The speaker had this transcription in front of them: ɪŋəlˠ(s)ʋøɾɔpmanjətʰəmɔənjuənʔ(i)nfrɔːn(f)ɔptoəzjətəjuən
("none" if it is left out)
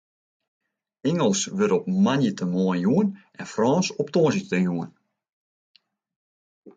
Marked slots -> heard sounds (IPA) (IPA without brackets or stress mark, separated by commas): s, ɛ, s